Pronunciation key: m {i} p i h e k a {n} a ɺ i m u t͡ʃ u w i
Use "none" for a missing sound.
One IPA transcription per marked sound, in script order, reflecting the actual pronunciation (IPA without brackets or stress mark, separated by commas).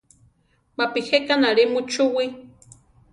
a, n